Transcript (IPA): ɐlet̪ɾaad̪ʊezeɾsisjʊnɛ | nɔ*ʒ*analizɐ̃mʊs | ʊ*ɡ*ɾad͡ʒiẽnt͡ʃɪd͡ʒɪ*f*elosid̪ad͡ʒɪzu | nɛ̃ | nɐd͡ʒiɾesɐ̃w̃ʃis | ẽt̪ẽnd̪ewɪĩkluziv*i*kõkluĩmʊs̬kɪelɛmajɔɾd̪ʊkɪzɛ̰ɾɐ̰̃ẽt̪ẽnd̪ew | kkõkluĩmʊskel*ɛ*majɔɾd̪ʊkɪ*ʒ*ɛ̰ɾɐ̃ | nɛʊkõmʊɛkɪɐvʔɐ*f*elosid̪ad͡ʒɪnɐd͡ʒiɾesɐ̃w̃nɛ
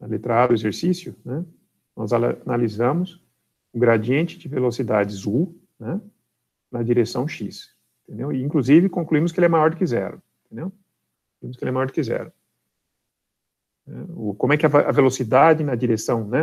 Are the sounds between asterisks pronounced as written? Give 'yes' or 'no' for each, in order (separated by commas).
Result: no, yes, no, no, yes, no, no